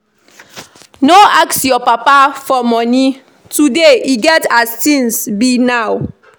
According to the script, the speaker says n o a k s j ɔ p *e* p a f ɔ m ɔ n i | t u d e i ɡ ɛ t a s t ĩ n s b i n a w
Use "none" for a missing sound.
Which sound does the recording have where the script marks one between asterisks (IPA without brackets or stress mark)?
a